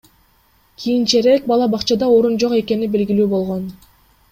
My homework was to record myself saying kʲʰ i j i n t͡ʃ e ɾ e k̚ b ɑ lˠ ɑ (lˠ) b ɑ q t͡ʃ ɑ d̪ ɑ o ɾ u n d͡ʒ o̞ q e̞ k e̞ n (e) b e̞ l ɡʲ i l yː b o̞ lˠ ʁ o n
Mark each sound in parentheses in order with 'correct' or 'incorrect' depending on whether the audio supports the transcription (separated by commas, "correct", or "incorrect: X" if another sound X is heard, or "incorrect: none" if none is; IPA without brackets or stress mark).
incorrect: none, incorrect: i